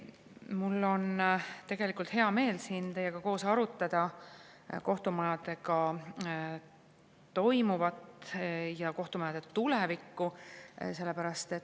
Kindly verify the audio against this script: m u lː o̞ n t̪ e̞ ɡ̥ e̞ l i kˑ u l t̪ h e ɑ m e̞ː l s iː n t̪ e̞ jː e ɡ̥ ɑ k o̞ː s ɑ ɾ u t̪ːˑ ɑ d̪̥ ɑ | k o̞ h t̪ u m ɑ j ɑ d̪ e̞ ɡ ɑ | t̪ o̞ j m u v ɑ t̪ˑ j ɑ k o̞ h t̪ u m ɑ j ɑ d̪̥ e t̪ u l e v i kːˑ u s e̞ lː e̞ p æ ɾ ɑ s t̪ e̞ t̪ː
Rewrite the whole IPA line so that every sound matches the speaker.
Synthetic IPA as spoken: m u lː o̞ n t̪ e̞ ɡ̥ e̞ l i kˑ u l t̪ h e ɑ m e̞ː l s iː n t̪ e̞ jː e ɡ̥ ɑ k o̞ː s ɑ ɾ u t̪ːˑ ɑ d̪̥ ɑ | k o̞ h t̪ u m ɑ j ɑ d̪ e̞ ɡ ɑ | t̪ o̞ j m u v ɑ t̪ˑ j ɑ k o̞ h t̪ u m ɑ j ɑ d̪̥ e t̪ u l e v i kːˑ u s e̞ lː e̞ p æ ɾ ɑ s t̪ e̞ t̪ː